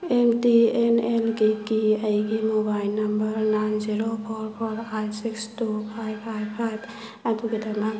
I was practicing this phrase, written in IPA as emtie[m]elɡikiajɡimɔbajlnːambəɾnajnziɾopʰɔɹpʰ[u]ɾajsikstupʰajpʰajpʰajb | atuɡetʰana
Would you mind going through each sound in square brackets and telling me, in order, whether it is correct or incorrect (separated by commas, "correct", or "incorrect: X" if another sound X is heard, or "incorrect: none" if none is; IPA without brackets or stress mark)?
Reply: incorrect: n, incorrect: ɔ